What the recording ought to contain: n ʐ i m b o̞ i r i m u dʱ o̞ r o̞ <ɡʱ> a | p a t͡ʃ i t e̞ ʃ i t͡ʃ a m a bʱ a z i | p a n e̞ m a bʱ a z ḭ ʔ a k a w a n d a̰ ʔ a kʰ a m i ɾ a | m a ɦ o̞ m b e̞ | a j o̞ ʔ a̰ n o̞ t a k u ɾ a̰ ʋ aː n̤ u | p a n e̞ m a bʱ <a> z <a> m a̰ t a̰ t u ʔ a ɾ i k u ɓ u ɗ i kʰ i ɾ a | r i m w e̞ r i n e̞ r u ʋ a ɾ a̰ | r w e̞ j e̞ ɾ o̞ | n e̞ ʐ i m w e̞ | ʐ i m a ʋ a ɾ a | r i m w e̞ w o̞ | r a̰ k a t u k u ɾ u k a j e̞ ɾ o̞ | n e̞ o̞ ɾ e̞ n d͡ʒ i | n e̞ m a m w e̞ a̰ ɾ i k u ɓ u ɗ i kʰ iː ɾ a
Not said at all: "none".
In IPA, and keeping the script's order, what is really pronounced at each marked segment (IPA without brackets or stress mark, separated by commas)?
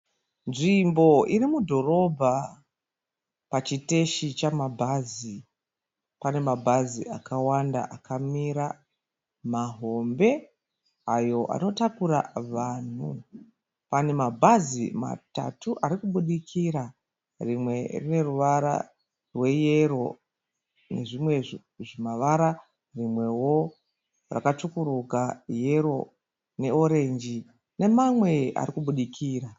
bʱ, a, i